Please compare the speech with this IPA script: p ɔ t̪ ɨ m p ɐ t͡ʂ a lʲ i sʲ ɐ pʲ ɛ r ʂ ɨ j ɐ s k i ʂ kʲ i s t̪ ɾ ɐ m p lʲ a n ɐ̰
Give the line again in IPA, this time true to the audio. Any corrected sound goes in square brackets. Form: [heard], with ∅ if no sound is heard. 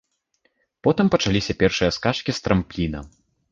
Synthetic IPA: p ɔ t̪ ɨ m p ɐ t͡ʂ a lʲ i sʲ ɐ pʲ ɛ r ʂ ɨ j ɐ s k [a] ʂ kʲ i s t̪ ɾ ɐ m p lʲ [i] n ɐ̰